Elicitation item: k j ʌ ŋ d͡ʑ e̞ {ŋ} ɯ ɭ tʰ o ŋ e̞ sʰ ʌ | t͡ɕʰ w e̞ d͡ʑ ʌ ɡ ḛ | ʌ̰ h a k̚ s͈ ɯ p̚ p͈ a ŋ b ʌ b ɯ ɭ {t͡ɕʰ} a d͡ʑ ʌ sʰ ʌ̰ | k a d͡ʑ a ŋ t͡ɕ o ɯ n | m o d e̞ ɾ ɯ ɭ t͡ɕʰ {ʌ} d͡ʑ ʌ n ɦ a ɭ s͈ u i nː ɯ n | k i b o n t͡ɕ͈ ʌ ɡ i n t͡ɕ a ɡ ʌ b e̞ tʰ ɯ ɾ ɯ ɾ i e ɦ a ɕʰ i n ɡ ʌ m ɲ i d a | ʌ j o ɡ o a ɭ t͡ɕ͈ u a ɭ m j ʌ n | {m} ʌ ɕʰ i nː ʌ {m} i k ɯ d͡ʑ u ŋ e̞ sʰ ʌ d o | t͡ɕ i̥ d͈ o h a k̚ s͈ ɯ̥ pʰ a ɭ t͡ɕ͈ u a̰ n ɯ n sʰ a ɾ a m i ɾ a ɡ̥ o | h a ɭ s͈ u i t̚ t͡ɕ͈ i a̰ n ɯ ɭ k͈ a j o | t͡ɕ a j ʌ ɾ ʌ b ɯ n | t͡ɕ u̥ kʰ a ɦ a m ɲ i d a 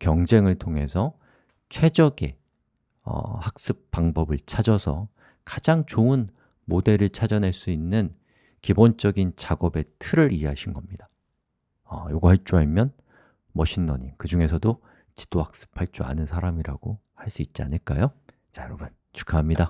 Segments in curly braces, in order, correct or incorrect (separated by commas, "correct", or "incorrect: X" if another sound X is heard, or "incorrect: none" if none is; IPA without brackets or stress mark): correct, correct, incorrect: a, correct, incorrect: ɲ